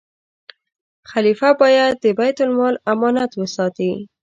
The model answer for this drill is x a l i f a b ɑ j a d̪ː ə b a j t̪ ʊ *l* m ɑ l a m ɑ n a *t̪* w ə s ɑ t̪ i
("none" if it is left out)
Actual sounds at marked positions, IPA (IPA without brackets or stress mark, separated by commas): l, t̪